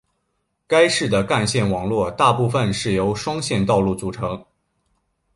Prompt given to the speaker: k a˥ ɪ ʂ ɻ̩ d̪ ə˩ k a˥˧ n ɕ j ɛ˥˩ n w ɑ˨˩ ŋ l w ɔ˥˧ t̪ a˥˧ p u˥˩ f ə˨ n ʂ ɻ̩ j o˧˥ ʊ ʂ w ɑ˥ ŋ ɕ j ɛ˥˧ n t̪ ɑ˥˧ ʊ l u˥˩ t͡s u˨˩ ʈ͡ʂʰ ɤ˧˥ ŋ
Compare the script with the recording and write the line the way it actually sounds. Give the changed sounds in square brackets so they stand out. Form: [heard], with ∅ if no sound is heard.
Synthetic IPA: k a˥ ɪ ʂ ɻ̩ d̪ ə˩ k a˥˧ n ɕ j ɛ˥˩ n w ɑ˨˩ ŋ l w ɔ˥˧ t̪ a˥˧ p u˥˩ f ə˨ n ʂ ɻ̩ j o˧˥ ʊ ʂ w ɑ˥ ŋ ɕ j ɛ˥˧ n t̪ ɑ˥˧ ʊ l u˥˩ t͡s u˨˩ ʈ͡ʂʰ ɤ˧˥ ŋ

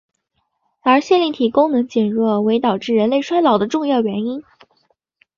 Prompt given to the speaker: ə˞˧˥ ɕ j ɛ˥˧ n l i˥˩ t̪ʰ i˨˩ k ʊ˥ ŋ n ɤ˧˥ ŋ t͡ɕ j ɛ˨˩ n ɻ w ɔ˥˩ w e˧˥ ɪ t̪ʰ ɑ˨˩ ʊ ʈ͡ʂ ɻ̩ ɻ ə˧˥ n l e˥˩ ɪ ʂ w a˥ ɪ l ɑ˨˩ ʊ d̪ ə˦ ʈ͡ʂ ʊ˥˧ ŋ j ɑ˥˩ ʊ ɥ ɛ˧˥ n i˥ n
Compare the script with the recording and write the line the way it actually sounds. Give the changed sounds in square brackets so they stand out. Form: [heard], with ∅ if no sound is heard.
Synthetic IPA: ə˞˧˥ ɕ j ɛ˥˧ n l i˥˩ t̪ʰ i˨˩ k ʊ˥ ŋ n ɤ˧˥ ŋ t͡ɕ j ɛ˨˩ n ɻ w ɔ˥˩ w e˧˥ ɪ [t̪] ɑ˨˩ ʊ ʈ͡ʂ ɻ̩ ɻ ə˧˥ n l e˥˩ ɪ ʂ w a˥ ɪ l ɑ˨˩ ʊ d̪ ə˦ ʈ͡ʂ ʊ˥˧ ŋ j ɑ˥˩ ʊ ɥ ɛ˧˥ n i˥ n

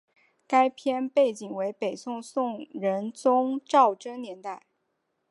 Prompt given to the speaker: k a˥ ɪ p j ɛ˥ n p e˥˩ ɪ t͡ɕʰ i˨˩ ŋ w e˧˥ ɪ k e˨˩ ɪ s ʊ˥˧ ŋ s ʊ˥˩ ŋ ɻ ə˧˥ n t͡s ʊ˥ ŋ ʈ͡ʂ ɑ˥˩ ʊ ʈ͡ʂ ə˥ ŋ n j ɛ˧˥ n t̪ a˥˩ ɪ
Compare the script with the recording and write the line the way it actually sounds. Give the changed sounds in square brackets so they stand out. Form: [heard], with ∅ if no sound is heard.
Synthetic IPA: k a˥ ɪ [pʰ] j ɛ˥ n p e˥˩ ɪ [t͡ɕ] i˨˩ ŋ w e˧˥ ɪ [p] e˨˩ ɪ s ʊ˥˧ ŋ s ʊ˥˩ ŋ ɻ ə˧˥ n t͡s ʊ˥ ŋ ʈ͡ʂ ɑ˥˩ ʊ ʈ͡ʂ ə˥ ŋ n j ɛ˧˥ n t̪ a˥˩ ɪ

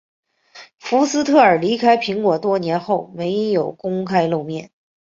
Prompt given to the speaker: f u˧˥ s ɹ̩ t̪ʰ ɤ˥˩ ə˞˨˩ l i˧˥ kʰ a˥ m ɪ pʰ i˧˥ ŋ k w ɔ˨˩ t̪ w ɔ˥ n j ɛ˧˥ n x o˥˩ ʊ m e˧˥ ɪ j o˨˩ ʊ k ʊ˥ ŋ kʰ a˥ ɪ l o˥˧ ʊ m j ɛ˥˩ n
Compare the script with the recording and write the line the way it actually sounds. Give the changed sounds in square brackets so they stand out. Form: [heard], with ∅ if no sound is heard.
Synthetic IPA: f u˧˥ s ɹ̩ t̪ʰ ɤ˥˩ ə˞˨˩ l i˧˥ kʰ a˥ [∅] ɪ pʰ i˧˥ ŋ k w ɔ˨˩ t̪ w ɔ˥ n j ɛ˧˥ n x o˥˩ ʊ m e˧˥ ɪ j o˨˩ ʊ k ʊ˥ ŋ kʰ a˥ ɪ l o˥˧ ʊ m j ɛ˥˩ n

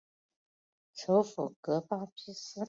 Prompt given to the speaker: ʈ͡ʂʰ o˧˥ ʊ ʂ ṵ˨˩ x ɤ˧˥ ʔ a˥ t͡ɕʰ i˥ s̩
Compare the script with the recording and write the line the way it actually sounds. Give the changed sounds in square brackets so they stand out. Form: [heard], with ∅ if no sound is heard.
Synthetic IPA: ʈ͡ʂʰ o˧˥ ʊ [f] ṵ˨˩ [k] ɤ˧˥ [p] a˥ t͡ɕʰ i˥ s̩

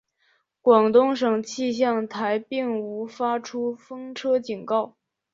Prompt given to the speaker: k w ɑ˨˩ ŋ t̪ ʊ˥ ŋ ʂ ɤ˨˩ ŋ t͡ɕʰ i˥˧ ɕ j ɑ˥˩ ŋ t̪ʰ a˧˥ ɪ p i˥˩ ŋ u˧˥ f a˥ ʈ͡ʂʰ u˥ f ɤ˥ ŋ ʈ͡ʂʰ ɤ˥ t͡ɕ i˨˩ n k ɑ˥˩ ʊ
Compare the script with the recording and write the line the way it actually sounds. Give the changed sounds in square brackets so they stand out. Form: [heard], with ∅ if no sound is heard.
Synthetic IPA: k w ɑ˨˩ ŋ t̪ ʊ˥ ŋ ʂ ɤ˨˩ ŋ t͡ɕʰ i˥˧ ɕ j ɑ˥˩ ŋ t̪ʰ a˧˥ ɪ p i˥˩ ŋ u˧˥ f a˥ ʈ͡ʂʰ u˥ f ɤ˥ ŋ ʈ͡ʂʰ ɤ˥ t͡ɕ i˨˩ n k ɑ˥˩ ʊ

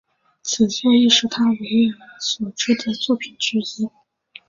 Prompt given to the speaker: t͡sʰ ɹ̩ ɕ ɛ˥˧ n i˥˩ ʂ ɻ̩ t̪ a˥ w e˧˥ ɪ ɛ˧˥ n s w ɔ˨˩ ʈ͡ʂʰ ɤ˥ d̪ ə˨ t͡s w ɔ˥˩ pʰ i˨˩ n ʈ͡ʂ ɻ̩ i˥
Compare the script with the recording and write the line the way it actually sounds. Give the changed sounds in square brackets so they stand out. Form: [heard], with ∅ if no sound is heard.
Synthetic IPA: t͡sʰ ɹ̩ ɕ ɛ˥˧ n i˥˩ ʂ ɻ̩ [t̪ʰ] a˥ w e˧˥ ɪ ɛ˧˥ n s w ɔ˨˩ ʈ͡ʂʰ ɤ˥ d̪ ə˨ t͡s w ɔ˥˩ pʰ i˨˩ n ʈ͡ʂ ɻ̩ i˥

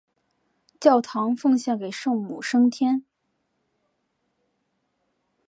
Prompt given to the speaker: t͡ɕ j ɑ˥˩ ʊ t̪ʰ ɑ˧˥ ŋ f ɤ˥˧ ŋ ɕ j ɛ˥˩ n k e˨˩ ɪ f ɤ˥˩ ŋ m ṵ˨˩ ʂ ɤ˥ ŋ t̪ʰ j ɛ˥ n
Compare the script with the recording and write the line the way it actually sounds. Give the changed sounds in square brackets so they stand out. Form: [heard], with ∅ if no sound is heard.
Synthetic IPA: t͡ɕ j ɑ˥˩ ʊ t̪ʰ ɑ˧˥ ŋ f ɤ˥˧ ŋ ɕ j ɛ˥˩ n k e˨˩ ɪ [ʂ] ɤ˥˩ ŋ m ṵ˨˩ ʂ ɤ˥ ŋ t̪ʰ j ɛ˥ n

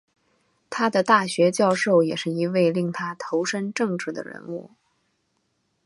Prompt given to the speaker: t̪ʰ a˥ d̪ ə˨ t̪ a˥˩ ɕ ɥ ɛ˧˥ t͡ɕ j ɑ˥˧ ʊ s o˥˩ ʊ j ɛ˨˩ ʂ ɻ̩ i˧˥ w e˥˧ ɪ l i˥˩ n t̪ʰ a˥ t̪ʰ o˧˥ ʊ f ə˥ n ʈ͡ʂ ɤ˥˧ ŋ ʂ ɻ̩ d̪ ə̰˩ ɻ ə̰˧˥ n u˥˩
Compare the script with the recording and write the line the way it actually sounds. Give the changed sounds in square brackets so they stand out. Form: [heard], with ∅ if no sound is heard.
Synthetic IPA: t̪ʰ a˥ d̪ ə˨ t̪ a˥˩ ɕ ɥ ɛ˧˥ t͡ɕ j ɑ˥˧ ʊ [ʂ] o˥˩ ʊ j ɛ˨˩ ʂ ɻ̩ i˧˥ w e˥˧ ɪ l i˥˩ [ŋ] t̪ʰ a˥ t̪ʰ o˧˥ ʊ [ʂ] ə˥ n ʈ͡ʂ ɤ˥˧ ŋ [ʈ͡ʂ] ɻ̩ d̪ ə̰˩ ɻ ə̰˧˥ n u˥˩

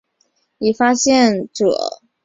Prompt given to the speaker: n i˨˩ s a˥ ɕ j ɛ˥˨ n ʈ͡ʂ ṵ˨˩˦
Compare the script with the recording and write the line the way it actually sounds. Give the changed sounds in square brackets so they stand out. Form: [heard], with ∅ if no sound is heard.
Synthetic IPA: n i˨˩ [f] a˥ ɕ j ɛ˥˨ n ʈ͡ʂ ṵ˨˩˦

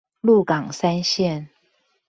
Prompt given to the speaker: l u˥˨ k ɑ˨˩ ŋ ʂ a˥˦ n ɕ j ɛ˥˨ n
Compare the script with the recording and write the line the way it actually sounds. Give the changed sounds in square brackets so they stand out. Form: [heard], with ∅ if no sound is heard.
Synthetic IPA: l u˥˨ k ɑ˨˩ ŋ [s] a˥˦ n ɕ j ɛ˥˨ n

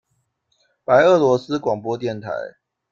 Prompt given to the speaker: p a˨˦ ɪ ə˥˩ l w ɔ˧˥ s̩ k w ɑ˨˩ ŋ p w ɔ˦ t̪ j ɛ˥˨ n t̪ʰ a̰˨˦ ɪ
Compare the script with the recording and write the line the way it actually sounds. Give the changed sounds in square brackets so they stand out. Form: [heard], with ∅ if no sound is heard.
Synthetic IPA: p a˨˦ ɪ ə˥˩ l w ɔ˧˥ s̩ k w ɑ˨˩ ŋ p w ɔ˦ t̪ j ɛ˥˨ n t̪ʰ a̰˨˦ ɪ

